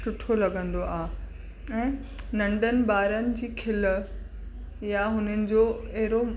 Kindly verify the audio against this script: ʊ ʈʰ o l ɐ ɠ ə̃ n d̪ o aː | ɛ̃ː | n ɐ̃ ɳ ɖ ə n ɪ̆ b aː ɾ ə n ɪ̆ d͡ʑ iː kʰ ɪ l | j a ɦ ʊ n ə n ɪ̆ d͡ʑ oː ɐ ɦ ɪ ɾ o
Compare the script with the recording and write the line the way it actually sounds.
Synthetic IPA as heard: ʊ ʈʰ o l ɐ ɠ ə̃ n d̪ o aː | ɛ̃ː | n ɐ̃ ɳ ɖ ə n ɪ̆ b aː ɾ ə n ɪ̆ d͡ʑ iː kʰ ɪ l | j a ɦ ʊ n ə n ɪ̆ d͡ʑ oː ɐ ɦ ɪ ɾ o